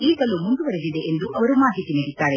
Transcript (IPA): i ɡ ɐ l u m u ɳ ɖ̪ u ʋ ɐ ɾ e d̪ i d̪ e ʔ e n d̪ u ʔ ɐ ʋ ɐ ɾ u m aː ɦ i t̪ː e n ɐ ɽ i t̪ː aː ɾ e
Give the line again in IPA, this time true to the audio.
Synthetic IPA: iː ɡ ɐ l u m u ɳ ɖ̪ u ʋ ɐ ɾ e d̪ i d̪ e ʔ e n d̪ u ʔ ɐ ʋ ɐ ɾ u m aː ɦ i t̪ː i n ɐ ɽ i t̪ː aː ɾ e